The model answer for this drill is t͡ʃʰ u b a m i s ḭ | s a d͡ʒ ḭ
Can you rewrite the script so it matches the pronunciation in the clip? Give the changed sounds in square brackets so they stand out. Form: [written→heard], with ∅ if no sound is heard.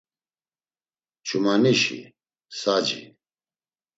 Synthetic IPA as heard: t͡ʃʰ u [b→m] a [m→n] i [s→ʃ] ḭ | s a d͡ʒ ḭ